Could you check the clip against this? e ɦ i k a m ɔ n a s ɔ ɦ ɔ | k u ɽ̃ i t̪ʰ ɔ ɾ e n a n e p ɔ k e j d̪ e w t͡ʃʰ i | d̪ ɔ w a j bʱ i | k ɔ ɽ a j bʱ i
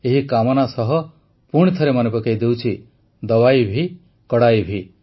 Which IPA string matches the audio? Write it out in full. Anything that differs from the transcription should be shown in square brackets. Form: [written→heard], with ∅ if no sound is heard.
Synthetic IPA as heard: e ɦ i k a m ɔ n a s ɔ ɦ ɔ | [k→p] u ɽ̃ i t̪ʰ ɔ ɾ e [n→m] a n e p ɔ k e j d̪ e w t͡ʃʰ i | d̪ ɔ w a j bʱ i | k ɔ ɽ a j bʱ i